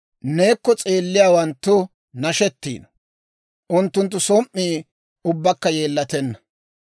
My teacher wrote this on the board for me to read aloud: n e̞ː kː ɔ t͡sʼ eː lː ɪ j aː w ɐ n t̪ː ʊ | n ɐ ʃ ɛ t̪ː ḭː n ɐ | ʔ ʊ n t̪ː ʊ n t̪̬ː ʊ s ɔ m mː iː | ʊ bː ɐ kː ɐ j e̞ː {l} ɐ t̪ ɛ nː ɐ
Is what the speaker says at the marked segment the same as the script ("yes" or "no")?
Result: no